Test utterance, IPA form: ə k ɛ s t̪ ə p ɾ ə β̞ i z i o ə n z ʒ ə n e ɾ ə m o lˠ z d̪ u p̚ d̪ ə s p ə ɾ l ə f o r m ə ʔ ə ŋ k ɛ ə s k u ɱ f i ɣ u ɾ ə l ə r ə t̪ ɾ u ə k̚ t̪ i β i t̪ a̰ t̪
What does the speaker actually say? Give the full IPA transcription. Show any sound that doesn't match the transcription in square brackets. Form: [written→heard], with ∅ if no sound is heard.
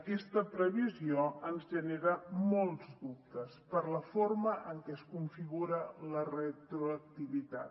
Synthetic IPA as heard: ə k ɛ s t̪ ə p ɾ ə β̞ i z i o ə n z ʒ ə n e ɾ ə m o lˠ z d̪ u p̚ [d̪→t̪] ə s p ə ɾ l ə f o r m ə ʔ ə ŋ k ɛ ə s k u ɱ f i ɣ u ɾ ə l ə r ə t̪ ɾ u ə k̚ t̪ i β i t̪ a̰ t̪